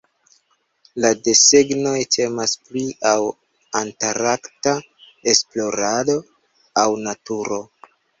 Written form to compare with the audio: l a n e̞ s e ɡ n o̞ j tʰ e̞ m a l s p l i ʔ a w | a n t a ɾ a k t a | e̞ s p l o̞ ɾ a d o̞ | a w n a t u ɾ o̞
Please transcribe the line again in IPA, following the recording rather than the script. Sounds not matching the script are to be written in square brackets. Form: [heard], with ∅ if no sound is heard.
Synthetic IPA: l a [d] e̞ s e ɡ n o̞ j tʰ e̞ m a [∅] s p l i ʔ a w | a n t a ɾ a k t a | e̞ s p l o̞ ɾ a d o̞ | a w n a t u ɾ o̞